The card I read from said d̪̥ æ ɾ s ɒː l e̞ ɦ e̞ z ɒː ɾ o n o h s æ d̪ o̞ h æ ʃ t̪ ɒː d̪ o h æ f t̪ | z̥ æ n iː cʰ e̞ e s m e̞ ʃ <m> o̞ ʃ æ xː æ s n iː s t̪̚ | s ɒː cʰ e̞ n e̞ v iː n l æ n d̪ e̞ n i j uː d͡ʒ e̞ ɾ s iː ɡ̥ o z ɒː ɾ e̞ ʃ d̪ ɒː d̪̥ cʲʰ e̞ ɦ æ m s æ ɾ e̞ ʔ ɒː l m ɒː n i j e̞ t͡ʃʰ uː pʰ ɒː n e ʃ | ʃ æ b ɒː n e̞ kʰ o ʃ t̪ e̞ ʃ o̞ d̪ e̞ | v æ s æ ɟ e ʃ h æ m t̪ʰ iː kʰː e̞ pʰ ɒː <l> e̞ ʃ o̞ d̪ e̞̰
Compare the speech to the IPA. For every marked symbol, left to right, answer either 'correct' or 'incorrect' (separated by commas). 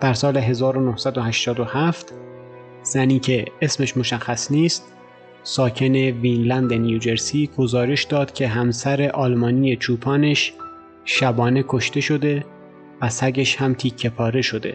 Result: correct, incorrect